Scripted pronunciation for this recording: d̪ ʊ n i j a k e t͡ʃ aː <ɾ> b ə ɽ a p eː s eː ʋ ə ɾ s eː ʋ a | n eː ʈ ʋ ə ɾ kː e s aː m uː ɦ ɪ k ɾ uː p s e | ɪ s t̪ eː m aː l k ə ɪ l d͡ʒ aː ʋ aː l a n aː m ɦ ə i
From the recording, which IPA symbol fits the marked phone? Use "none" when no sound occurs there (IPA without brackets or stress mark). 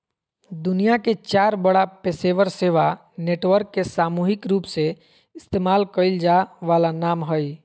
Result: ɾ